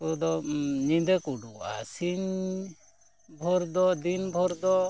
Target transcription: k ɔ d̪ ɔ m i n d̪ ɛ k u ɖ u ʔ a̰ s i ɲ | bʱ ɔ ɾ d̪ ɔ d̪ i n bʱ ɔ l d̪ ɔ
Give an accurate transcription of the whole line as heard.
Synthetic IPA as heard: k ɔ d̪ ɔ ɲ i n d̪ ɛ k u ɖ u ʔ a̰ s i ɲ | bʱ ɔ ɾ d̪ ɔ d̪ i n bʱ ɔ ɾ d̪ ɔ

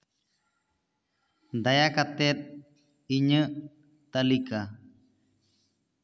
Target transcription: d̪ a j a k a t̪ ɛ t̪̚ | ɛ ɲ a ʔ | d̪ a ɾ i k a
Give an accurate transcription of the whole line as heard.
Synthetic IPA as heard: d̪ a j a k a t̪ ɛ t̪̚ | i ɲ ə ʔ | t̪ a l i k a

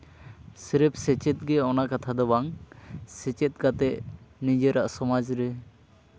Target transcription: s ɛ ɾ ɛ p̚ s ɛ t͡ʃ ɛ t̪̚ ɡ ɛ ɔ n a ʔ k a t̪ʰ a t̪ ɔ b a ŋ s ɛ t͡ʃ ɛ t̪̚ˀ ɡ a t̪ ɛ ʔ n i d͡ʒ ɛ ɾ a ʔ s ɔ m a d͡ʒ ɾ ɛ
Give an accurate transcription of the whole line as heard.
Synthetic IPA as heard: s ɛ ɾ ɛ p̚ s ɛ t͡ʃ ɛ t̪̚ ɡ ɛ ɔ n a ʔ k a t̪ʰ a d̪ ɔ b a ŋ s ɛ t͡ʃ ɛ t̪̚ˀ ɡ a t̪ ɛ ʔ n i d͡ʒ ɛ ɾ a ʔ s ɔ m a d͡ʒ ɾ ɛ

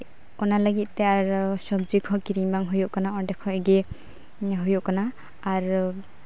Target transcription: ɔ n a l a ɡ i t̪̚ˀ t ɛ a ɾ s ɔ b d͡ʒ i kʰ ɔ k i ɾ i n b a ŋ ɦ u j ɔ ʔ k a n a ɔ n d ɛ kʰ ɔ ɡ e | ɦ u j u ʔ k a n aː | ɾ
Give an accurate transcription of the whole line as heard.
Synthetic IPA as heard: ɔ n a l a ɡ i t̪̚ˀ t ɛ a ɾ s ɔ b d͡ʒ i kʰ ɔ k i ɾ i ŋ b a ŋ ɦ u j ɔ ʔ k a n a ɔ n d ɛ kʰ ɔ ɡ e | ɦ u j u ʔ k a n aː | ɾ

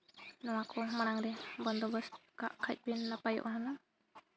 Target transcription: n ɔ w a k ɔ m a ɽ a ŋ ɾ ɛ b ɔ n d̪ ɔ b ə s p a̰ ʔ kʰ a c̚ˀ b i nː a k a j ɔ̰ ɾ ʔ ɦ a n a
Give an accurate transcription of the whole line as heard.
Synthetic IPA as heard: n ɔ w a k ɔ m a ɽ a ŋ ɾ ɛ b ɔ n d̪ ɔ b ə s k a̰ ʔ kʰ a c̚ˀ b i nː a p a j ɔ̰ ʔ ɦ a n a

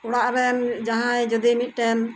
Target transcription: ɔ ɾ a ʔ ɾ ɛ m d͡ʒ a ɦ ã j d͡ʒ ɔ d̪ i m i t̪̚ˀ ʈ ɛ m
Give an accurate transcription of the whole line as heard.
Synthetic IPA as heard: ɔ ɽ a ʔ ɾ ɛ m d͡ʒ a ɦ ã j d͡ʒ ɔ d̪ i m i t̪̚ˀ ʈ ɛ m

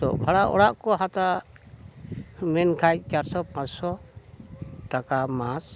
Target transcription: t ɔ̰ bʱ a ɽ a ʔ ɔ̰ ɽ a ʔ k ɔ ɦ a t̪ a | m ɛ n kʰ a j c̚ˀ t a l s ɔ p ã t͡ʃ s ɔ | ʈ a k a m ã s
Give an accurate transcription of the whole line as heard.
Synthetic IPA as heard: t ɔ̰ bʱ a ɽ a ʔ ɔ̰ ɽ a ʔ k ɔ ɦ a t̪ a | m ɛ n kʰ a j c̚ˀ t͡ʃ a ɾ s ɔ p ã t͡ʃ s ɔ | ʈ a k a m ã s

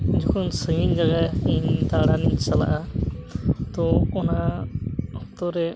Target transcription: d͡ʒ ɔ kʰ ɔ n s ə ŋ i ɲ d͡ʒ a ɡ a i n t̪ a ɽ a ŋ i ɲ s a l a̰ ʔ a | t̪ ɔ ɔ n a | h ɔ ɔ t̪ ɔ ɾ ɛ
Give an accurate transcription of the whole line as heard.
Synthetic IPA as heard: d͡ʒ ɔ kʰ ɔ n s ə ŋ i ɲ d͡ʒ a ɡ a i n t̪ a ɽ a n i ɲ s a l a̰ ʔ a | t̪ ɔ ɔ n a | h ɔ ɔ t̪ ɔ ɾ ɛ

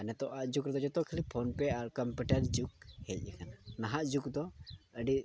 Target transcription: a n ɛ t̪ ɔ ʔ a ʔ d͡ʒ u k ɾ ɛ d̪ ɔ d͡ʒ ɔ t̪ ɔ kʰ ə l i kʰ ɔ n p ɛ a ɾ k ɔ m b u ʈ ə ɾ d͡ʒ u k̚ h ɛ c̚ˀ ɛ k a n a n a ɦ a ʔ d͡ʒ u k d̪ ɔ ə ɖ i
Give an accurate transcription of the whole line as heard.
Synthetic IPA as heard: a n ɛ t̪ ɔ ʔ a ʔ d͡ʒ u k ɾ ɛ d̪ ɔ d͡ʒ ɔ t̪ ɔ kʰ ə l i pʰ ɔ n p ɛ a ɾ k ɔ m p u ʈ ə ɾ d͡ʒ u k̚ h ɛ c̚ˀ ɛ k a n a n a ɦ a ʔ d͡ʒ u k d̪ ɔ ə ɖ i

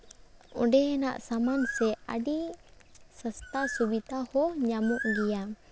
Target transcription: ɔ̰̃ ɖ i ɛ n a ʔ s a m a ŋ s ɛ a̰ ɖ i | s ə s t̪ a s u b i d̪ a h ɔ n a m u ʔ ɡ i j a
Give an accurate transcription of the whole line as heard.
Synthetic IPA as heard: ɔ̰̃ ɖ ɛ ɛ n a ʔ s a m a n s ɛ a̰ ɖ i | s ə s t̪ a s u b i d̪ a h ɔ ɲ a m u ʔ ɡ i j a

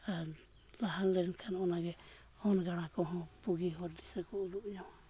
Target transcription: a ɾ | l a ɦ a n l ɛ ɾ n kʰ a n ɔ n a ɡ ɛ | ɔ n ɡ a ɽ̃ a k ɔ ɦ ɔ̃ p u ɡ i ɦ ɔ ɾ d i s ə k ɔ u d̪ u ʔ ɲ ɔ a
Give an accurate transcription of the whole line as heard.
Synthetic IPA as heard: a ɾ | l a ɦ a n l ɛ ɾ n kʰ a n ɔ n a ɡ ɛ | ɔ n ɡ a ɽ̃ a k ɔ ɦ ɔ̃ p u ɡ i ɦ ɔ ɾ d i s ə k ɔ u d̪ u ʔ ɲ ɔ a

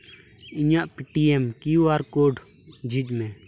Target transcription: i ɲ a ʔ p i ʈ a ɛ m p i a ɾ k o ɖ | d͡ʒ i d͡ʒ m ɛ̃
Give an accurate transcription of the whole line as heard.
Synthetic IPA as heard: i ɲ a ʔ p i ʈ i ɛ m k i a ɾ k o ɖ | d͡ʒ i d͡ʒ m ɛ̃

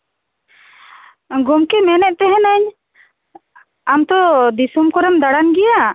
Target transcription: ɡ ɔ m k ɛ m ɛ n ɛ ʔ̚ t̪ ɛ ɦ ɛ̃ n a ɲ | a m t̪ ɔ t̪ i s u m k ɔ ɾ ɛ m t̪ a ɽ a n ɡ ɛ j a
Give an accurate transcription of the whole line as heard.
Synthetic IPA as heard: ɡ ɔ m k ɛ m ɛ n ɛ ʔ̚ t̪ ɛ ɦ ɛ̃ n a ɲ | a m t̪ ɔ d̪ i s u m k ɔ ɾ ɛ m d̪ a ɽ a n ɡ ɛ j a

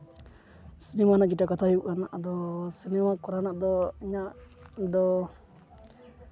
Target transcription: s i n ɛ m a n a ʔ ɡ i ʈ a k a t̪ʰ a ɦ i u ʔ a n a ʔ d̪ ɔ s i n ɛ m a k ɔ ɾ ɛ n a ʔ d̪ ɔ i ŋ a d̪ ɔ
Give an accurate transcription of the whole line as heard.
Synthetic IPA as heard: s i n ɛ m a n a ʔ ɡ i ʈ a k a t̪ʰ a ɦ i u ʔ a n a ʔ d̪ ɔ s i n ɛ m a k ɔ ɾ a n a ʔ d̪ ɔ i ɲ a d̪ ɔ

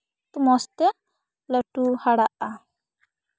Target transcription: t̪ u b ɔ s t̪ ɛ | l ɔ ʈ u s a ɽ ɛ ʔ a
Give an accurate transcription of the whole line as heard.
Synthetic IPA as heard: t̪ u m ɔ s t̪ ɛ | l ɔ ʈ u h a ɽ a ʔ a

